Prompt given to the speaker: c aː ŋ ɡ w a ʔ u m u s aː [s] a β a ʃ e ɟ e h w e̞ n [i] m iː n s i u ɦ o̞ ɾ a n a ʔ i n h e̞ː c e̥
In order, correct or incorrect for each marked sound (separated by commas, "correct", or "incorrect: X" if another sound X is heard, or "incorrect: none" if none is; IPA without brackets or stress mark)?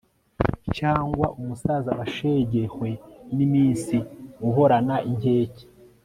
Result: incorrect: z, correct